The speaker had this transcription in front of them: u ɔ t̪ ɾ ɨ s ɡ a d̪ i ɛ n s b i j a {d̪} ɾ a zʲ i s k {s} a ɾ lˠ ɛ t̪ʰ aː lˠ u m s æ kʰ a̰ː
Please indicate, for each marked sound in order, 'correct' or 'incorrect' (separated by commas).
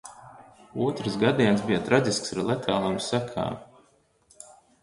incorrect, correct